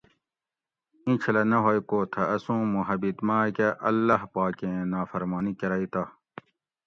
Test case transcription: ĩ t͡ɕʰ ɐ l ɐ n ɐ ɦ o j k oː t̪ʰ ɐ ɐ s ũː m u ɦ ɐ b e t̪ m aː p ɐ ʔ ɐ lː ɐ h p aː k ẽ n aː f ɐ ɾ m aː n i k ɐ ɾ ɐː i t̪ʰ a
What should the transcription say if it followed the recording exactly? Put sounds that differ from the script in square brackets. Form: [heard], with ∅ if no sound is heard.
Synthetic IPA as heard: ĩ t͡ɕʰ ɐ l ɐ n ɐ ɦ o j k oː t̪ʰ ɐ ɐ s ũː m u ɦ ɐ b [i] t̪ m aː [k] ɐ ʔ ɐ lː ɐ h p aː k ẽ n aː f ɐ ɾ m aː n i k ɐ ɾ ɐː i [t̪] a